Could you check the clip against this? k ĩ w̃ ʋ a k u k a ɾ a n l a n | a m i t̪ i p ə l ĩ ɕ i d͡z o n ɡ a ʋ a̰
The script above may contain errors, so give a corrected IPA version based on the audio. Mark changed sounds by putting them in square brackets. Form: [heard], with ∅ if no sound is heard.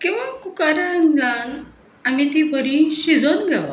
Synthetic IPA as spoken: k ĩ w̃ ʋ a k u k a ɾ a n l a n | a m i t̪ i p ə [ɾ] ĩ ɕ i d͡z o n ɡ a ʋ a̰